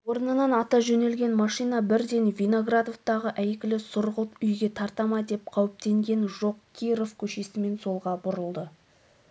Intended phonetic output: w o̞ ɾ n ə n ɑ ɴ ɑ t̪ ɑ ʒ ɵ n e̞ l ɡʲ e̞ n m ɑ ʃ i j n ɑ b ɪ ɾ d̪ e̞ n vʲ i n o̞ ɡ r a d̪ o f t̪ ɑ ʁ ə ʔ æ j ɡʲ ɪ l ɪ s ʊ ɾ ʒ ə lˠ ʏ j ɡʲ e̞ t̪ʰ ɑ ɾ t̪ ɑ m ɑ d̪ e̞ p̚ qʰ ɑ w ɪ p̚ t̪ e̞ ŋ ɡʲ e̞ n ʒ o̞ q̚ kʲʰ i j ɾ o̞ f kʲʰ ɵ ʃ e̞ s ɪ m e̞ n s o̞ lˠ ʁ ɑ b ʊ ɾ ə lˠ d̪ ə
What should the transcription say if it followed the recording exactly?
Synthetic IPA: w o̞ ɾ n ə n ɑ n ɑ t̪ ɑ ʒ ɵ n e̞ l ɡʲ e̞ n m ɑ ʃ i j n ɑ b ɪ ɾ d̪ e̞ n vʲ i n o̞ ɡ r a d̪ o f t̪ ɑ ʁ ə ʔ æ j kʲ ɪ l ɪ s ʊ ɾ ʁ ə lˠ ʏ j ɡʲ e̞ t̪ʰ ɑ ɾ t̪ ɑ m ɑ d̪ e̞ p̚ qʰ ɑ w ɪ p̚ t̪ e̞ ŋ ɡʲ e̞ n ʒ o̞ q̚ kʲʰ i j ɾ o̞ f kʲʰ ɵ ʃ e̞ s ɪ m e̞ n s o̞ lˠ ʁ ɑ b ʊ ɾ ə lˠ d̪ ə